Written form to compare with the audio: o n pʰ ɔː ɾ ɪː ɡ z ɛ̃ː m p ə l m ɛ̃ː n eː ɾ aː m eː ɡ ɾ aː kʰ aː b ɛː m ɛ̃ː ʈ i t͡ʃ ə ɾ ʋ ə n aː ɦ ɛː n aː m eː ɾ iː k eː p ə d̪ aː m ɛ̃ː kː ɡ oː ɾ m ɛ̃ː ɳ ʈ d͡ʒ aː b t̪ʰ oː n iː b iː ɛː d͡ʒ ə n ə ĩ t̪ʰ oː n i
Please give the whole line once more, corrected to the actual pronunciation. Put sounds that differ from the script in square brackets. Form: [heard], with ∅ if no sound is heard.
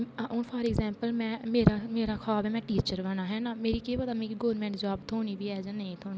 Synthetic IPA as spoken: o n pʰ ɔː ɾ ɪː ɡ z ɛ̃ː m p ə l m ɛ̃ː [m] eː ɾ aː m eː [∅] ɾ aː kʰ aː b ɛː m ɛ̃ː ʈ [iː] t͡ʃ ə ɾ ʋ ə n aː ɦ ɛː n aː m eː ɾ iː k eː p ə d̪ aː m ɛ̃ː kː ɡ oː ɾ m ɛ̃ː ɳ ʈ d͡ʒ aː b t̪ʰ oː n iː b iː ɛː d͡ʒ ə n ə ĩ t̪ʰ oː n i